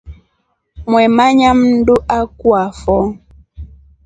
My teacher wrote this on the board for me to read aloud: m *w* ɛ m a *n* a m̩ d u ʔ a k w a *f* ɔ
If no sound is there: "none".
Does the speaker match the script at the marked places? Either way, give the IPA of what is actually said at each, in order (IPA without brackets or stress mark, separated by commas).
w, ɲ, f